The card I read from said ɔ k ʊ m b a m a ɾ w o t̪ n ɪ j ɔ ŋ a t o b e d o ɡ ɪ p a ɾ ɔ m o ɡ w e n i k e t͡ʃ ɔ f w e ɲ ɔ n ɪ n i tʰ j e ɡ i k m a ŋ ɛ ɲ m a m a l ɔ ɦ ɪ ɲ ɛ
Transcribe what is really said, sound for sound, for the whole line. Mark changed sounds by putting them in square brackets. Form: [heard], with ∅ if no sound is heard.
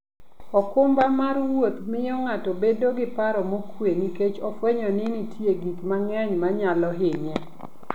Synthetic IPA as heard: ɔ k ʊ m b a m a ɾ w o t̪ [m] ɪ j ɔ ŋ a t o b e d o ɡ ɪ p a ɾ ɔ m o [k] w e n i k e t͡ʃ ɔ f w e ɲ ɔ n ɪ n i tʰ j e ɡ i k m a ŋ ɛ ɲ m a [ɲ] a l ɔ ɦ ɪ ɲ ɛ